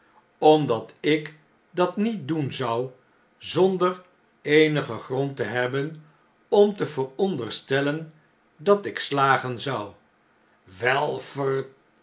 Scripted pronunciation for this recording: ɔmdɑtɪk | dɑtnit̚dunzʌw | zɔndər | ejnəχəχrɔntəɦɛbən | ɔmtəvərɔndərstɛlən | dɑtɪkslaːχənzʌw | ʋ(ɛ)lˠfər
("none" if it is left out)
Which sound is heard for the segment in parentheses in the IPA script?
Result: ɛ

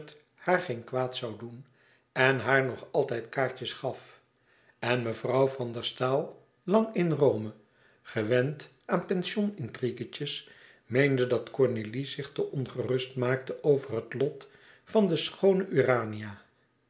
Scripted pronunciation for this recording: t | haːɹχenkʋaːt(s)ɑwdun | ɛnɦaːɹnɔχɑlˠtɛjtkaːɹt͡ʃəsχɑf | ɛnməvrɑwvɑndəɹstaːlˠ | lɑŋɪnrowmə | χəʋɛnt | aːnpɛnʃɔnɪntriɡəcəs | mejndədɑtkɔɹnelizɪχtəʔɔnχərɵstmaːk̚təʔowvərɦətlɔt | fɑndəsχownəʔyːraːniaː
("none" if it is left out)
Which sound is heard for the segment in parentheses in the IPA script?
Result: s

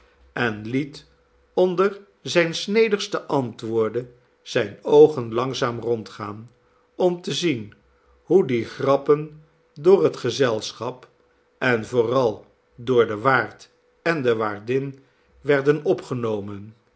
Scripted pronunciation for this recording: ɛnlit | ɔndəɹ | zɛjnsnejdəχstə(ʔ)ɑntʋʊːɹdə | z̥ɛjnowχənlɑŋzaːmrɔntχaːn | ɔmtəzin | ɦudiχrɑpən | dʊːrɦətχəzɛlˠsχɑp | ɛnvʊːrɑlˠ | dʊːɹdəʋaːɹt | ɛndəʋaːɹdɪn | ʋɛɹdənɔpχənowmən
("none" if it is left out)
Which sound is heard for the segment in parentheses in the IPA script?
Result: ʔ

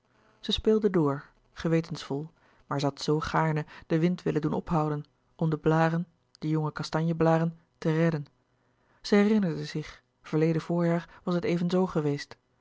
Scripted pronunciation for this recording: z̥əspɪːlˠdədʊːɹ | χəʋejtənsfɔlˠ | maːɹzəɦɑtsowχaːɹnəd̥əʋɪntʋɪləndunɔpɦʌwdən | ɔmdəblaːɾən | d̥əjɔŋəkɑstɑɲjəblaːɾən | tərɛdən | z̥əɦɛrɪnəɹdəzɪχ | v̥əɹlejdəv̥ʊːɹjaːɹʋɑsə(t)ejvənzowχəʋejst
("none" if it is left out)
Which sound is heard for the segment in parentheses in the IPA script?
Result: t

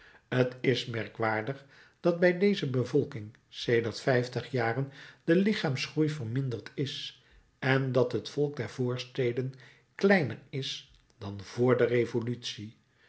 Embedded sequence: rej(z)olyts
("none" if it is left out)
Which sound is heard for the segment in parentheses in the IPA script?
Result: v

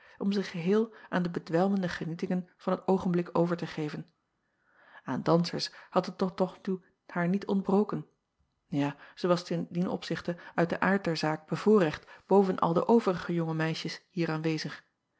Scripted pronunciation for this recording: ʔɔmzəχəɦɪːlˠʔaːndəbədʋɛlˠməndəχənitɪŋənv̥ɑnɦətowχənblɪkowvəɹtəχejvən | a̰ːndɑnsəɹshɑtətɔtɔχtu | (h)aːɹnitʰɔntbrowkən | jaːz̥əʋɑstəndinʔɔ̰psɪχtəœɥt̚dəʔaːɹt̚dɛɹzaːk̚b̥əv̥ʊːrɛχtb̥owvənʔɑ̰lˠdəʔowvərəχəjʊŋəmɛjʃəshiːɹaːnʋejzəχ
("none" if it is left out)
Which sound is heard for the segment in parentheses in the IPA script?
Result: h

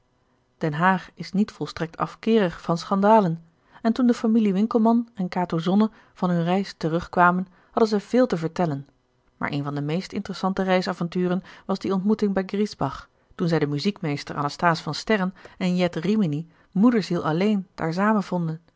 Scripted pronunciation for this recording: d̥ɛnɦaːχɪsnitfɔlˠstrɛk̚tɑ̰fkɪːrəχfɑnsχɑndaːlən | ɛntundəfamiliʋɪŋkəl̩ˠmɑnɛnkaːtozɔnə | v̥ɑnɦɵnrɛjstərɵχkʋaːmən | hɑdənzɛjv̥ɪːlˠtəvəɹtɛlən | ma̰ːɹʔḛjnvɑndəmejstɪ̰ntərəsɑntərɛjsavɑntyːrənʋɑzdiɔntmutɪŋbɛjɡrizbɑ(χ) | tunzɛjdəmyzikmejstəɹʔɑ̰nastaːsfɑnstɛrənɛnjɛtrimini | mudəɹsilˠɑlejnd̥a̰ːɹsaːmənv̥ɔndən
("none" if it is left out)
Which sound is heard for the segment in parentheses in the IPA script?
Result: χ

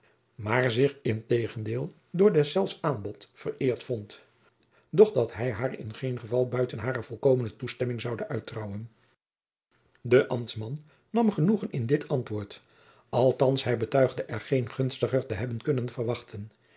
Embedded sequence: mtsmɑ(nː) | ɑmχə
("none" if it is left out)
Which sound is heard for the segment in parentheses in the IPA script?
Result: nː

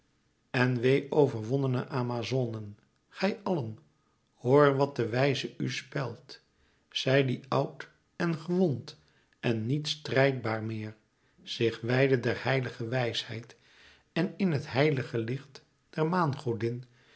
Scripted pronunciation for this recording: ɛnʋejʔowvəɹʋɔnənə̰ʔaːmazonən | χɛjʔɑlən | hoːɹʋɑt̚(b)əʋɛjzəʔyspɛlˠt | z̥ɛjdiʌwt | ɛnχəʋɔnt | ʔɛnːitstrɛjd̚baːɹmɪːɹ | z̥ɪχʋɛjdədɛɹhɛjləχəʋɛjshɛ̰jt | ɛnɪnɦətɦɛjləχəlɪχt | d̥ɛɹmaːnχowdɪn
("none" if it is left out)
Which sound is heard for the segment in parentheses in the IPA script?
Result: d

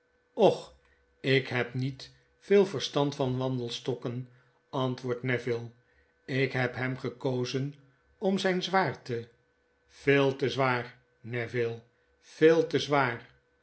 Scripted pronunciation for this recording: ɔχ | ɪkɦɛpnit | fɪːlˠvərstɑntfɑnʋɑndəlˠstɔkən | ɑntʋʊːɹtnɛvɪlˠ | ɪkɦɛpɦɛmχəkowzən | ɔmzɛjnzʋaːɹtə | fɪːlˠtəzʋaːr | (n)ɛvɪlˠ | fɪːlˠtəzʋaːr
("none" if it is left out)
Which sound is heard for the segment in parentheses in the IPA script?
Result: n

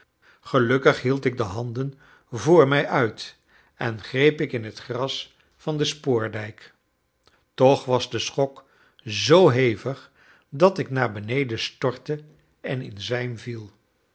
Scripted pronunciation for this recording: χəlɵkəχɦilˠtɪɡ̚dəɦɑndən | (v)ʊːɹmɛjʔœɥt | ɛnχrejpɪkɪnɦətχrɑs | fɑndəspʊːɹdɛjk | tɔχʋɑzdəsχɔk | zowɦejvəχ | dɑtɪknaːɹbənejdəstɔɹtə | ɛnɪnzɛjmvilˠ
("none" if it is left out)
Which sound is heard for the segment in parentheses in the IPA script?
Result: v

